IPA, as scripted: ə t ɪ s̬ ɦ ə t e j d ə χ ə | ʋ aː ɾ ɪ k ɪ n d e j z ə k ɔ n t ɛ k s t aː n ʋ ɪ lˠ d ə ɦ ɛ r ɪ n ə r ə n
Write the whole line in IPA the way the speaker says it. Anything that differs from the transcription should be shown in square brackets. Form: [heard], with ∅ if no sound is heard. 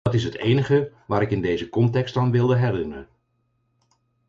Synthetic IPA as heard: [ɑ] t ɪ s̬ ɦ ə t e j [n] ə χ ə | ʋ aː ɾ ɪ k ɪ n d e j z ə k ɔ n t ɛ k s t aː n ʋ ɪ lˠ d ə ɦ ɛ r ɪ n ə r ə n

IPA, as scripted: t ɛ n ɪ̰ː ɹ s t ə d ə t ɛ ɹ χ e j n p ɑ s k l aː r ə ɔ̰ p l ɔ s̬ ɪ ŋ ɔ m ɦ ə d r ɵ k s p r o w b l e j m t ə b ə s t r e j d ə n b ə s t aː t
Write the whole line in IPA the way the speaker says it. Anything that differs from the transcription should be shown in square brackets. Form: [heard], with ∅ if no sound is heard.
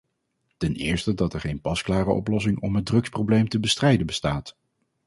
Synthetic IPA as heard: t ɛ n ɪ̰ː ɹ s t ə d [ɑ] t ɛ ɹ χ e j n p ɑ s k l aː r ə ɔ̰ p l ɔ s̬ ɪ ŋ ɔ m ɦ ə d r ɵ k s p r o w b l e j m t ə b ə s t r [ɛ] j d ə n b ə s t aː t

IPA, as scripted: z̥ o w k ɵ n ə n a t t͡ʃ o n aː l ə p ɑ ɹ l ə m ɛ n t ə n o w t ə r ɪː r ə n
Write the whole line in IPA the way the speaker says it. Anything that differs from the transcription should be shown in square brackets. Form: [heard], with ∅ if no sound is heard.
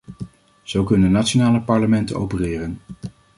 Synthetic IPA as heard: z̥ o w k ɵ n ə n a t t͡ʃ o n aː l ə p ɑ ɹ l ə m ɛ n t ə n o w [p] ə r ɪː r ə n

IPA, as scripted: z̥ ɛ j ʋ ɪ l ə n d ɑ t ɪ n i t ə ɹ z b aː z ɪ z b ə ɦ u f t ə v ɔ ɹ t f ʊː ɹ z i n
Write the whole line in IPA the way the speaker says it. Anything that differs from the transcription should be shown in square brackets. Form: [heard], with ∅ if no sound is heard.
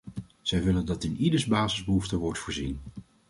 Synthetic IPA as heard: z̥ ɛ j ʋ ɪ l ə n d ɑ t ɪ n i [d] ə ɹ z b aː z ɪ z b ə ɦ u f t ə [ʋ] ɔ ɹ t f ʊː ɹ z i n

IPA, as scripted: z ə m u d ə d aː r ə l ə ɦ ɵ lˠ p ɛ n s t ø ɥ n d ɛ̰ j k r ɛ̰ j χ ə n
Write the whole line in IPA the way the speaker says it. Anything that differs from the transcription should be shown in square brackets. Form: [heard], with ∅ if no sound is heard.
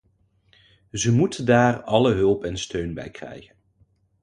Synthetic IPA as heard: z ə m u [t] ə d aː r [ɑ] l ə ɦ ɵ lˠ p ɛ n s t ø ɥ n [b] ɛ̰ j k r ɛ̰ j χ ə n

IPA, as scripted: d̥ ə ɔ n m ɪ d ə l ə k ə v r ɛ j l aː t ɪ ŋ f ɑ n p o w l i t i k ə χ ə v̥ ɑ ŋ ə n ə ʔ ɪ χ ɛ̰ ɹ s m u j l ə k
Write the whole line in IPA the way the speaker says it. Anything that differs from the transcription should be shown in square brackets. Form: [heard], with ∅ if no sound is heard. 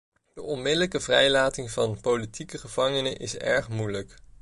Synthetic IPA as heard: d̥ ə ɔ n m ɪ d ə l ə k ə v r ɛ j l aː t ɪ ŋ [v] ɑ n p o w l i t i k ə χ ə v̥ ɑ ŋ ə n ə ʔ ɪ [s] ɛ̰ ɹ [χ] m u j l ə k

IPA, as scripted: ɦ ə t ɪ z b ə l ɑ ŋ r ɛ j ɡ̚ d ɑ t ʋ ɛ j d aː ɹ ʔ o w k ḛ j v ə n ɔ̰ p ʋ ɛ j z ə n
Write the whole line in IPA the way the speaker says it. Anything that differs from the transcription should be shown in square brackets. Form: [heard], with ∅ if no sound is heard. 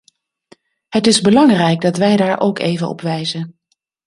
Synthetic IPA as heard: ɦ ə t ɪ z b ə l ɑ ŋ r ɛ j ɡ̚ d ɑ t ʋ ɛ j d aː ɹ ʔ o w k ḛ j v ə n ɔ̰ p ʋ ɛ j z ə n

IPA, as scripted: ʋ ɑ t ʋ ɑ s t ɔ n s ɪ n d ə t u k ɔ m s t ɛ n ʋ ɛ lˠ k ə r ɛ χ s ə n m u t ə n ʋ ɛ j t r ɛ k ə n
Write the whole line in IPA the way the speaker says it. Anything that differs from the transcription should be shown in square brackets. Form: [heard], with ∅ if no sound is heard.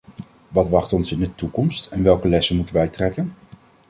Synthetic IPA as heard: ʋ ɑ t ʋ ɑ [χ] t ɔ n s ɪ n d ə t u k ɔ m s t ɛ n ʋ ɛ lˠ k ə [l] ɛ [∅] s ə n m u t ə n ʋ ɛ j t r ɛ k ə n

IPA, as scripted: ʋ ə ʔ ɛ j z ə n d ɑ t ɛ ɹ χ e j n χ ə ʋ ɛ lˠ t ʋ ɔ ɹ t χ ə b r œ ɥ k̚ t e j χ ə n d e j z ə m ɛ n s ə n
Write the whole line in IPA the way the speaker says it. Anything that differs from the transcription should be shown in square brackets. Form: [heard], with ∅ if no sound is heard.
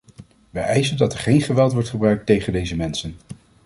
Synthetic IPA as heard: ʋ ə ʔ ɛ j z ə n d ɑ t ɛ ɹ χ e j n χ ə ʋ ɛ lˠ t ʋ ɔ ɹ t χ ə b r œ ɥ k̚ t e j χ ə n d e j z ə m ɛ n s ə n

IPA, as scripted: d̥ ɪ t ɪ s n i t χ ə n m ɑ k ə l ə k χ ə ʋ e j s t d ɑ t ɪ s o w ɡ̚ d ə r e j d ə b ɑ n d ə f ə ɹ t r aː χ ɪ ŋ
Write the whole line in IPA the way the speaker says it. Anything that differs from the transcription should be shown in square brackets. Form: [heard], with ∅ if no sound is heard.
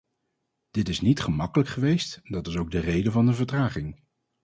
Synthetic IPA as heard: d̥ ɪ t ɪ s n i t χ ə [∅] m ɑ k ə l ə k χ ə ʋ e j s t d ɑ t ɪ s o w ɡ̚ d ə r e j d ə [v] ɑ n d ə [v] ə ɹ t r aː χ ɪ ŋ

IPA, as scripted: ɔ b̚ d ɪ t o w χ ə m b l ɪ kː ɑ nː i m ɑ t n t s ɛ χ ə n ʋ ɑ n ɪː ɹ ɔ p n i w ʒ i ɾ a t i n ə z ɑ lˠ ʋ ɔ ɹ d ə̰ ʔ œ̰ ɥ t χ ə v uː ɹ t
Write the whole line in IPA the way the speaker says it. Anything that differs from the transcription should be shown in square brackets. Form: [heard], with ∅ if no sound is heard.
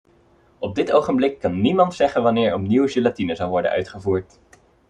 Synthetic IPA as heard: ɔ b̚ d ɪ t o w χ ə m b l ɪ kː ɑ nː i m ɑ [∅] n t s ɛ χ ə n ʋ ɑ n ɪː ɹ ɔ p n i w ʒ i [l] a t i n ə z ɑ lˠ ʋ ɔ ɹ d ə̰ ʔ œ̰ ɥ t χ ə v uː ɹ t

